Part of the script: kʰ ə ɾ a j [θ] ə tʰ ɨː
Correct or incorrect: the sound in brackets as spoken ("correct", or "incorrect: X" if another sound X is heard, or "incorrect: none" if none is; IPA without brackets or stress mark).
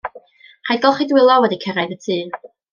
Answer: incorrect: ð